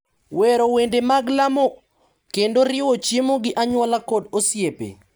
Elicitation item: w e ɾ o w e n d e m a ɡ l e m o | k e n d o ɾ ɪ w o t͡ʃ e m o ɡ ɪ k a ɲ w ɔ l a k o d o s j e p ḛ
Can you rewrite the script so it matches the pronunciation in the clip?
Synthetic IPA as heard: w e ɾ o w e n d e m a ɡ l a m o | k e n d o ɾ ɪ w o t͡ʃ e m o ɡ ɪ ʔ a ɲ w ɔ l a k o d o s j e p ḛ